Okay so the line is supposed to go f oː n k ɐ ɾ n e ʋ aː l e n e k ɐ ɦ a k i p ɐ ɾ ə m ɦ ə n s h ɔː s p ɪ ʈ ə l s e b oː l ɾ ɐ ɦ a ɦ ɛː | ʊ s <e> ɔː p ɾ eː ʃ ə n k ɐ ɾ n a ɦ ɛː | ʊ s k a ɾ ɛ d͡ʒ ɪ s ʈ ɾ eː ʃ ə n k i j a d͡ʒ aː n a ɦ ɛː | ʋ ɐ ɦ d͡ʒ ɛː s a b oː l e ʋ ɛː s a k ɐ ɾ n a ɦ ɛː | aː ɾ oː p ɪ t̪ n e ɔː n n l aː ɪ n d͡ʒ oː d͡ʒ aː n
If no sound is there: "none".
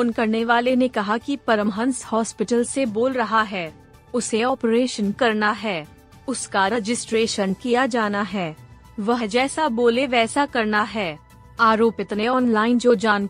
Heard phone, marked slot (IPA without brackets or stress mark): e